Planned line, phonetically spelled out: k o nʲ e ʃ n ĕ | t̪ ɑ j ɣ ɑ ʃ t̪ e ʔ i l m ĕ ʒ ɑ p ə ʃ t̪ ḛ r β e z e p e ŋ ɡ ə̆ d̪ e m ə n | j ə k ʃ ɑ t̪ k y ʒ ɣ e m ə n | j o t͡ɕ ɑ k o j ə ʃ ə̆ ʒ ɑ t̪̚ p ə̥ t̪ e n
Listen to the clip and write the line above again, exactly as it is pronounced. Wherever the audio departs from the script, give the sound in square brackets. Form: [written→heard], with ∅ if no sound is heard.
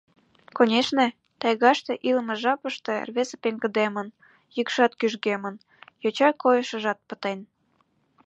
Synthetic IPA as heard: k o nʲ e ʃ n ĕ | t̪ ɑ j ɣ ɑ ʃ t̪ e ʔ i l m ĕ ʒ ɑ p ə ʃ t̪ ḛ r β e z e p e ŋ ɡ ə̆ d̪ e m ə n | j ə k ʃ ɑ t̪ k y ʒ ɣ e m ə n | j o t͡ɕ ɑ k o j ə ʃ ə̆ ʒ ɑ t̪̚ p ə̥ t̪ e n